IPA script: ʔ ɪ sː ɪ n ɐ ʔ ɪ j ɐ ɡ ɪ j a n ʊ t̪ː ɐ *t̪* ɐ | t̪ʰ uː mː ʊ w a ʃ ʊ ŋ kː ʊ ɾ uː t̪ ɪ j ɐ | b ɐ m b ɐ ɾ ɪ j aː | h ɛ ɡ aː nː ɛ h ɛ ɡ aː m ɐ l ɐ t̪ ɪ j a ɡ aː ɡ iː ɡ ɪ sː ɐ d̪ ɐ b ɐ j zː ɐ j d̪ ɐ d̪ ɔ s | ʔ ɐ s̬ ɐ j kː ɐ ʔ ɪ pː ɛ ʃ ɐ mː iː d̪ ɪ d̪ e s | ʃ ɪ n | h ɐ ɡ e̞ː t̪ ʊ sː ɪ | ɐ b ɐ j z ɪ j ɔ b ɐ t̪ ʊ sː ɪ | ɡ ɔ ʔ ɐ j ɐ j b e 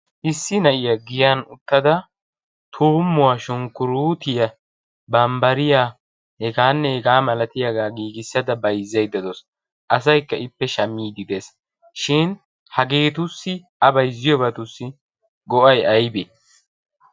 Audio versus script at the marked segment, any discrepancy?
yes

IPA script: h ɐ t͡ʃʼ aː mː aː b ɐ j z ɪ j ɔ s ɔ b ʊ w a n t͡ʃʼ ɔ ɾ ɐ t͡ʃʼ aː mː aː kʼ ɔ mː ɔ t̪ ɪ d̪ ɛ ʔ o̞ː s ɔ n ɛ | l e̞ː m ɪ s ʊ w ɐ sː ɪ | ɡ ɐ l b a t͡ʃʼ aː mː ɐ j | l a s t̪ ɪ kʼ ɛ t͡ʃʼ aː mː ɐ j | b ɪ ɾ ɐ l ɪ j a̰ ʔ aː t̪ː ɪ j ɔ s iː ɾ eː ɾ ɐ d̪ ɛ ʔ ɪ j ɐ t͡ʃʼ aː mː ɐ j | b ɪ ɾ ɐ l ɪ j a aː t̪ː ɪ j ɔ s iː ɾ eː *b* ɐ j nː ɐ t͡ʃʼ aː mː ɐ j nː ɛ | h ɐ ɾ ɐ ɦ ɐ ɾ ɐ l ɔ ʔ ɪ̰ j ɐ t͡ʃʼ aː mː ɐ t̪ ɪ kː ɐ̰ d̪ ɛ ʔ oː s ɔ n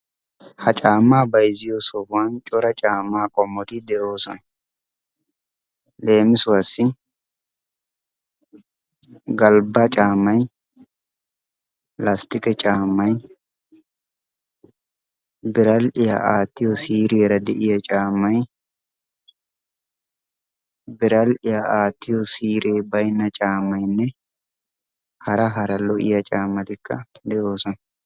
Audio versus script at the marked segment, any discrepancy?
no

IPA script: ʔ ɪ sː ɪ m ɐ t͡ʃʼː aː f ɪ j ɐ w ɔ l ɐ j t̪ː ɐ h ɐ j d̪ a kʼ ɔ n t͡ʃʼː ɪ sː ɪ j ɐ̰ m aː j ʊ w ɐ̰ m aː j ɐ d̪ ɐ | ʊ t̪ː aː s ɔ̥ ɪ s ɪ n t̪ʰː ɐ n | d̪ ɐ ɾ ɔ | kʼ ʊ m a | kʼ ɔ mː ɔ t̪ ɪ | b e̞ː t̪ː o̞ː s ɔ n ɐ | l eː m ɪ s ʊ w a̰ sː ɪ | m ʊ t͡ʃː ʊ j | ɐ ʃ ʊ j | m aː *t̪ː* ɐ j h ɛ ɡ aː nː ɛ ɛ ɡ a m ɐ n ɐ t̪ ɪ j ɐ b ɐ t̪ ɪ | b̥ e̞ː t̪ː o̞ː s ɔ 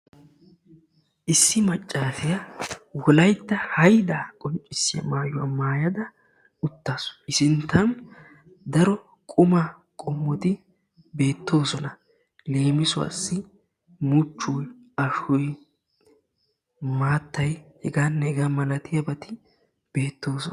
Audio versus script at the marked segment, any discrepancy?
no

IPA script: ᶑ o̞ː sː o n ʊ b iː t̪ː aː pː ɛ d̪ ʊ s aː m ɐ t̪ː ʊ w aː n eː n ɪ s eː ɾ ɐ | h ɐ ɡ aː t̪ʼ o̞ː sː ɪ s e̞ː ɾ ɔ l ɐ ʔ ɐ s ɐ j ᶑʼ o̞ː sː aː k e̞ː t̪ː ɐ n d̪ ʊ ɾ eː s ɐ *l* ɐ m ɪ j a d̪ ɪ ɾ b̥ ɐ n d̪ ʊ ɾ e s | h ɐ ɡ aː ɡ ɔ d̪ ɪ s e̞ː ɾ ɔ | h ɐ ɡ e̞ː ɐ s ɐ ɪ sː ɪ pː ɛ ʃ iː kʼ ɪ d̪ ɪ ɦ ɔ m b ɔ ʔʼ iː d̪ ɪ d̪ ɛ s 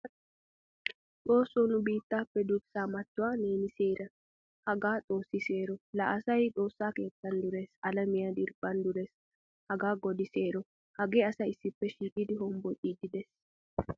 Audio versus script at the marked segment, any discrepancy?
no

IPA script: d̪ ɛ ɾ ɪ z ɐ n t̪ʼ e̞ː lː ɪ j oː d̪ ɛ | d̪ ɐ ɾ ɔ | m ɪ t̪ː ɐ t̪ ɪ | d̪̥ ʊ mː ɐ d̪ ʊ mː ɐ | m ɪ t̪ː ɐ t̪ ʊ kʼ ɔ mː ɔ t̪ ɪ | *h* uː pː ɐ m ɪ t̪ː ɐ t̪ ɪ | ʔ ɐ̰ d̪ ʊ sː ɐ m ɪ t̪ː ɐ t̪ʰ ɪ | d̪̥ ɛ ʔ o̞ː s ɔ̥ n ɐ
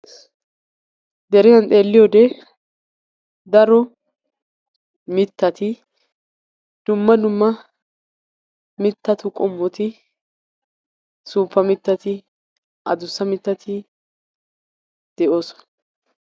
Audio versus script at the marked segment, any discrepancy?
yes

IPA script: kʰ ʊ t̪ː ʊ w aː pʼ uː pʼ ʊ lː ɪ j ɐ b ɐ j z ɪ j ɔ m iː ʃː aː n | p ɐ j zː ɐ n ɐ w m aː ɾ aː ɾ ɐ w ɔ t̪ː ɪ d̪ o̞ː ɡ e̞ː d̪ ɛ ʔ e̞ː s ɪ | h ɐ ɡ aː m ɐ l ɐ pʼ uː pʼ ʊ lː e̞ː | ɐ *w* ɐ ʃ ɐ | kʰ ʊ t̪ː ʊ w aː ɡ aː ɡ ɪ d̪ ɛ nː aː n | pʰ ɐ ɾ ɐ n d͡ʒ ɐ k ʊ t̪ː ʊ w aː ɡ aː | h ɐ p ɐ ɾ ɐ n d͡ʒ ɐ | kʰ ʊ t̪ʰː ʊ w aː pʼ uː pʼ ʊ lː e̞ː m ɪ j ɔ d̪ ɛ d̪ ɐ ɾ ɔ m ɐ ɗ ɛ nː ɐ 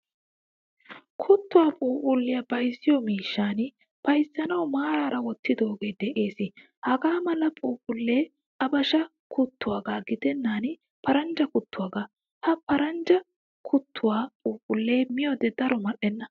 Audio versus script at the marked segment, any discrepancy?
yes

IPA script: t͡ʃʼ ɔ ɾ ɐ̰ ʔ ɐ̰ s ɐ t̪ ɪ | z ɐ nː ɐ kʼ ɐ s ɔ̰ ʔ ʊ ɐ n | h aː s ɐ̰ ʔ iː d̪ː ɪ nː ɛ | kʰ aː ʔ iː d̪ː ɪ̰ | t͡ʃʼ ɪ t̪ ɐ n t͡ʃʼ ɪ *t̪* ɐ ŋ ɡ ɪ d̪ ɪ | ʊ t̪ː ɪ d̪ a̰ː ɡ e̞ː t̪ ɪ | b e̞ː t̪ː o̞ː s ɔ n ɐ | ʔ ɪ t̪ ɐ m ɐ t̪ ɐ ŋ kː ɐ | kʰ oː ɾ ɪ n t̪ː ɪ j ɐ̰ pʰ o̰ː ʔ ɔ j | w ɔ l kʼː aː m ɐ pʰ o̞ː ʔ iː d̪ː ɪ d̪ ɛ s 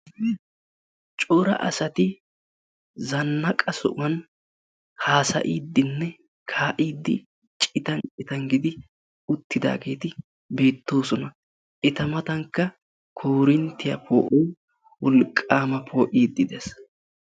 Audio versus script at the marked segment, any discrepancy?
no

